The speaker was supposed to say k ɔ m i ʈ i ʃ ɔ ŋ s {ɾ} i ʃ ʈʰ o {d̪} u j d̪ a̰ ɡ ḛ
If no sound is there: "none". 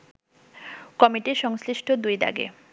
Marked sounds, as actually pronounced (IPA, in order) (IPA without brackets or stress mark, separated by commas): l, d̪